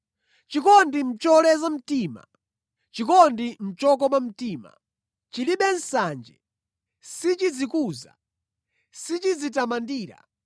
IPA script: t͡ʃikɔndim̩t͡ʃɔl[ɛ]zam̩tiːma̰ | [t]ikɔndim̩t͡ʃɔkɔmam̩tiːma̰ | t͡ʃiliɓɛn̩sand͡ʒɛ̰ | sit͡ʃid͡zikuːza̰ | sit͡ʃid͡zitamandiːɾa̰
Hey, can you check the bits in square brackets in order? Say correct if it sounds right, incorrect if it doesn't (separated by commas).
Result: correct, incorrect